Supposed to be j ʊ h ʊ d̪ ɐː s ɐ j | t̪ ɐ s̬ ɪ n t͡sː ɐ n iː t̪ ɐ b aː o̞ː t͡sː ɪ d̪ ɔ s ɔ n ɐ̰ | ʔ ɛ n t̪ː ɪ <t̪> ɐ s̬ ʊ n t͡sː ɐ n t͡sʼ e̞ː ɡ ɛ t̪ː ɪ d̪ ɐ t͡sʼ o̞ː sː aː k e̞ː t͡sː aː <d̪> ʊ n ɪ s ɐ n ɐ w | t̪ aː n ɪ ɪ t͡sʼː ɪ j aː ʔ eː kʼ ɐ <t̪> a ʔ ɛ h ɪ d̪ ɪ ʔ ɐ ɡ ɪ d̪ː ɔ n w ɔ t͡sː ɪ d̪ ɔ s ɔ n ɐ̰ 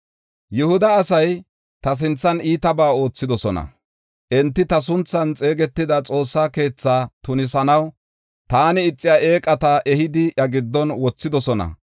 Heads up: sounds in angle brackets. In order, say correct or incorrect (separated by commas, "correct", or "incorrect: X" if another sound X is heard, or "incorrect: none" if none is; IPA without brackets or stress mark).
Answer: correct, incorrect: t̪, correct